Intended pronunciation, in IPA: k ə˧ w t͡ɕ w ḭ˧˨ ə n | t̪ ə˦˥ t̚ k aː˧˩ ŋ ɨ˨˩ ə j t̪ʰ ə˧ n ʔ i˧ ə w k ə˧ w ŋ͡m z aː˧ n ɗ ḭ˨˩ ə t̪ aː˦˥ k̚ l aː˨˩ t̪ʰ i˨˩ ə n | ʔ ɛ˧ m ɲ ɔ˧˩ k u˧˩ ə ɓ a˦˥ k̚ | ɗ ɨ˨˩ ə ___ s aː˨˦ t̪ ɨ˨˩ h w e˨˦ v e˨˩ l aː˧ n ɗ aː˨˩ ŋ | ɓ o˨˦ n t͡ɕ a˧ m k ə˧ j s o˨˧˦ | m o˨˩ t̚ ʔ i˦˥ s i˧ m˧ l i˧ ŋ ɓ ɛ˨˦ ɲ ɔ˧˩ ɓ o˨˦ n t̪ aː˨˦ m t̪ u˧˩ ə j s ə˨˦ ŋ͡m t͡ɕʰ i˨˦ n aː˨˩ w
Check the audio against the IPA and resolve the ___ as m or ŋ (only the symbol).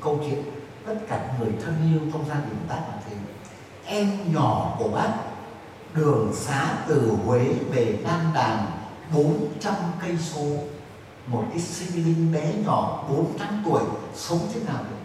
ŋ